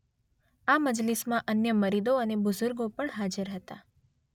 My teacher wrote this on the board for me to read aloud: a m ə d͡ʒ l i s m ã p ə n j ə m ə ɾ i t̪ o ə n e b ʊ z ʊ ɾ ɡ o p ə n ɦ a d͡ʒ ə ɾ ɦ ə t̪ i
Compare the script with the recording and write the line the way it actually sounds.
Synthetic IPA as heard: a m ə d͡ʒ l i s m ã ʔ ə n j ə m ə ɾ i d̪ o ə n e b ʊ z ʊ ɾ ɡ o p ə ɳ ɦ a d͡ʒ ə ɾ ɦ ə t̪ a